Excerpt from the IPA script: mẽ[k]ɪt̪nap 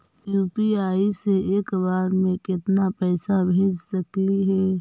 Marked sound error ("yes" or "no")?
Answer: no